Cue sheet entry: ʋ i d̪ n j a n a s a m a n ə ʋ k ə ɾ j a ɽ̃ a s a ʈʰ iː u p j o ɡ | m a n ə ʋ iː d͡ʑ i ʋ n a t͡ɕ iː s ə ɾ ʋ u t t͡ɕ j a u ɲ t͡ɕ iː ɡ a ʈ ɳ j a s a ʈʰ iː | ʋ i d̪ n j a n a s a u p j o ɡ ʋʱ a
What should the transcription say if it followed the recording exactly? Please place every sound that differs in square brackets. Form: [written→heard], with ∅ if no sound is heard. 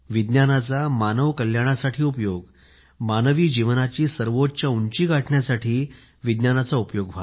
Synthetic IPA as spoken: ʋ i d̪ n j a n a [s→t͡s] a m a n ə ʋ k ə [ɾ→l] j a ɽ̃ a s a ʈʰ iː u p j o ɡ | m a n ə ʋ iː d͡ʑ i ʋ n a t͡ɕ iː s ə ɾ ʋ [u→o] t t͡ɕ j a u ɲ t͡ɕ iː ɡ a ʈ ɳ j a s a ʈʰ iː | ʋ i d̪ n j a n a [s→t͡s] a u p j o ɡ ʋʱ a